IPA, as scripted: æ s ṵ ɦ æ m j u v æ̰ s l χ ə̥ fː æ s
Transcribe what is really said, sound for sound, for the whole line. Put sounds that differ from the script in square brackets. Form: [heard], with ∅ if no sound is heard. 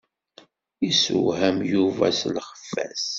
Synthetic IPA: [i] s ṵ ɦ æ m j u v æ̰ s l χ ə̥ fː æ s